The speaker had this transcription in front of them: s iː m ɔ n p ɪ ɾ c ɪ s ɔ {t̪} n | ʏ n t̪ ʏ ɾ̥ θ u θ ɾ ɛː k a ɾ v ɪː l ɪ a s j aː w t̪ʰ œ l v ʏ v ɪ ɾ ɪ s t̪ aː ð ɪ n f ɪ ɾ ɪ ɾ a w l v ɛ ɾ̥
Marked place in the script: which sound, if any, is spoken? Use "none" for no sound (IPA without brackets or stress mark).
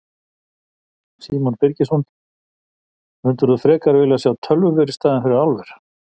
none